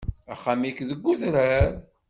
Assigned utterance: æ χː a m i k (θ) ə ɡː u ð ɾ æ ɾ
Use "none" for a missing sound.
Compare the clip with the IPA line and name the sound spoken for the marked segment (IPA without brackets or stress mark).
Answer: ð